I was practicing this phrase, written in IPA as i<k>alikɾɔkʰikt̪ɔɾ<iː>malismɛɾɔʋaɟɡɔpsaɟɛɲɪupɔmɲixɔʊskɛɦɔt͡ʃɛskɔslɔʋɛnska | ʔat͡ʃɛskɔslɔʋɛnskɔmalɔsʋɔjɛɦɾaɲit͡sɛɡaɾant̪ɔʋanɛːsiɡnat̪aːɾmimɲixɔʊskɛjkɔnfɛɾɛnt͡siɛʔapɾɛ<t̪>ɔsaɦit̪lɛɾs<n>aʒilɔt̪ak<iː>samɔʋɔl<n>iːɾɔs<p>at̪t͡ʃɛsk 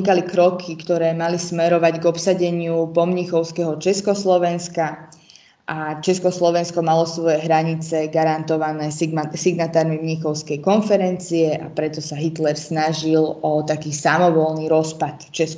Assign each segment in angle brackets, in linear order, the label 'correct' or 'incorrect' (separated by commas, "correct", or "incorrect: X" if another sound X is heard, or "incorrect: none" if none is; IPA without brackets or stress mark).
correct, incorrect: ɛː, correct, correct, correct, correct, correct